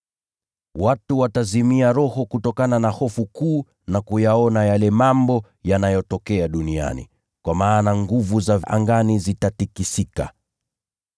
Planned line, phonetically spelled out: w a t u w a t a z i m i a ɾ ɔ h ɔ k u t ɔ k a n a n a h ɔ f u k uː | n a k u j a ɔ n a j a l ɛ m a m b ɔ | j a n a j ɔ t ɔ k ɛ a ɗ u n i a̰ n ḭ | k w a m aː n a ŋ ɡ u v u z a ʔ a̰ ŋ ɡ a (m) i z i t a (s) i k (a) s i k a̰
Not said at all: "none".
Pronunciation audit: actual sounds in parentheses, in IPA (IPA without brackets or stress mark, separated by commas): n, t, i